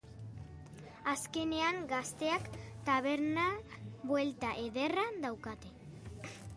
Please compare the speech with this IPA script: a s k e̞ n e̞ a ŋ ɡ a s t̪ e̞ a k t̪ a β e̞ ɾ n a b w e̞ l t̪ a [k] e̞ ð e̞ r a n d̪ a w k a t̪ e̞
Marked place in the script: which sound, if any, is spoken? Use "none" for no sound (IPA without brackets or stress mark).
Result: ʔ